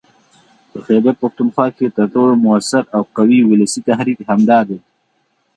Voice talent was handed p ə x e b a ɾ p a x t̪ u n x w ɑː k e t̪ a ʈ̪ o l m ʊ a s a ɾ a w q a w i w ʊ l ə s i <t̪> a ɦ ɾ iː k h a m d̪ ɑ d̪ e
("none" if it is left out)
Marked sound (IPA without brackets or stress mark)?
t̪